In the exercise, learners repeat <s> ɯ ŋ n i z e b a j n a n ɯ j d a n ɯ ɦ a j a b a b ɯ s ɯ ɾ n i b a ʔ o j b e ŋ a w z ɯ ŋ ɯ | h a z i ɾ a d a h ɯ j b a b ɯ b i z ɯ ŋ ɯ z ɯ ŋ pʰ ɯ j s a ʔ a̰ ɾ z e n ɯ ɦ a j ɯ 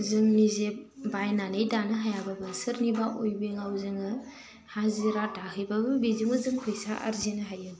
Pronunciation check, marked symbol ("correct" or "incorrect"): incorrect